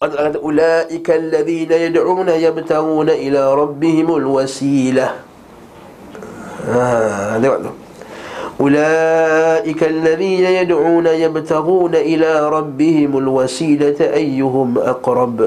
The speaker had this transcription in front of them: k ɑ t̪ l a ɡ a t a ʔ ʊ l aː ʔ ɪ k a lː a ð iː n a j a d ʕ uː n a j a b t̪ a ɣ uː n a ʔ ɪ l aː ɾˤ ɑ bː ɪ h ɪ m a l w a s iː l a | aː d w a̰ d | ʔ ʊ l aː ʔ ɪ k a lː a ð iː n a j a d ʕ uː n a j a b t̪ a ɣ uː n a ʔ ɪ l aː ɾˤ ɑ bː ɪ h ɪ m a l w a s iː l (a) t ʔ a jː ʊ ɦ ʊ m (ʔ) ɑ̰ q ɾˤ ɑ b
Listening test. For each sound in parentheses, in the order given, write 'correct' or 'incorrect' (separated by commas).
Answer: correct, correct